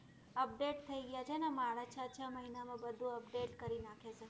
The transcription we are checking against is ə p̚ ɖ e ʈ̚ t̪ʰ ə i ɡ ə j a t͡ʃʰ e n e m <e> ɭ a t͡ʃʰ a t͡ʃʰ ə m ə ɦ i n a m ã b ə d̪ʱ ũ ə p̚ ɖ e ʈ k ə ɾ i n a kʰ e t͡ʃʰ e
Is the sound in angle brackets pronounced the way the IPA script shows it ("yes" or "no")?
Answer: no